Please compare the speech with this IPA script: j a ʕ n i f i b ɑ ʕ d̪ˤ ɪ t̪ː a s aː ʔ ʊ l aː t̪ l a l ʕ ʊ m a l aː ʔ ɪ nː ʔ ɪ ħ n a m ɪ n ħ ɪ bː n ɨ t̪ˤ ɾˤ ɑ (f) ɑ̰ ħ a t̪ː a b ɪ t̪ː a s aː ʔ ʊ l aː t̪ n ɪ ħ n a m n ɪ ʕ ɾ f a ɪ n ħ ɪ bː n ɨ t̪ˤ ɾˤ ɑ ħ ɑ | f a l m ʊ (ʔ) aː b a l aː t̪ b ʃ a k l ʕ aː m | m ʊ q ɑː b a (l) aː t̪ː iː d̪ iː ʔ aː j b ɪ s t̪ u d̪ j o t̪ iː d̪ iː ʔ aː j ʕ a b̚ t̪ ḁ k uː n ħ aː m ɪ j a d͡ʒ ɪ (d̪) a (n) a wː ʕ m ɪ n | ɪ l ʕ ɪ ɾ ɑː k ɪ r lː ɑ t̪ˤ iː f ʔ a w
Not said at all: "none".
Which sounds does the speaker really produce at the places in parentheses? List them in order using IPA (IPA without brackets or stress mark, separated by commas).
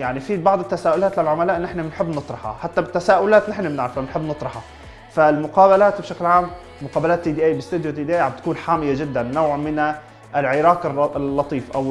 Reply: ħ, q, l, d̪ː, nː